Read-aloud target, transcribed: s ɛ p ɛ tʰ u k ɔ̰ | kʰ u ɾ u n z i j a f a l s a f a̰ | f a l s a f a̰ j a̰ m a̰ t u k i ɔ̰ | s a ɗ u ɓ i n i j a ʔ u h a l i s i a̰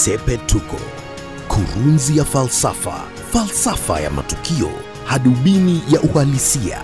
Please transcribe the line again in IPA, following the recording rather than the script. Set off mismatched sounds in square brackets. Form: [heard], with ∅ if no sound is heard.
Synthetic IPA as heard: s ɛ p ɛ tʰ u k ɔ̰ | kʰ u ɾ u n z i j a f a l s a f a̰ | f a l s a f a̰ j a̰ m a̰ t u k i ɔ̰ | [h] a ɗ u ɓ i n i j a ʔ u h a l i s i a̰